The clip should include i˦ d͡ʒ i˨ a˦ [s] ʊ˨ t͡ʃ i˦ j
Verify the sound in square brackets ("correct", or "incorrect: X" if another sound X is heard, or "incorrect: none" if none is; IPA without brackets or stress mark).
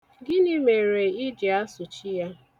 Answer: correct